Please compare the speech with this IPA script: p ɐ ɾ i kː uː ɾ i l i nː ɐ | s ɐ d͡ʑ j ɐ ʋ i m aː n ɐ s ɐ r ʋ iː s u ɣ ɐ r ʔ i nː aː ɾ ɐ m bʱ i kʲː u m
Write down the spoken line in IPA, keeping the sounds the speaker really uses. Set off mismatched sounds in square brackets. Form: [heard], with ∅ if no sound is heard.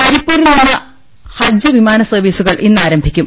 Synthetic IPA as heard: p ɐ ɾ i [pː] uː ɾ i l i nː ɐ | [h] ɐ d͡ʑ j ɐ ʋ i m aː n ɐ s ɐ r ʋ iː s u ɣ ɐ [ɭ] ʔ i nː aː ɾ ɐ m bʱ i kʲː u m